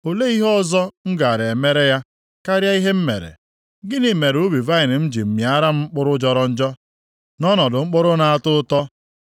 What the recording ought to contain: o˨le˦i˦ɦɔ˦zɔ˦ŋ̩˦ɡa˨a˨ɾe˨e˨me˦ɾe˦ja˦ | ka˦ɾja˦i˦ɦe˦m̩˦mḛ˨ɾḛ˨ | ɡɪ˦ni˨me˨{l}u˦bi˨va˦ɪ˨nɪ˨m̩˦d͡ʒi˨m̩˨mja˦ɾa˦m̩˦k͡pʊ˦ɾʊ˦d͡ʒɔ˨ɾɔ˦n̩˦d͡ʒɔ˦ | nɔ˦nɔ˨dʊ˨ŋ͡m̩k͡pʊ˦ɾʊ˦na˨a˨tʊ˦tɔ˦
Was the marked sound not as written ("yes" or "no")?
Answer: yes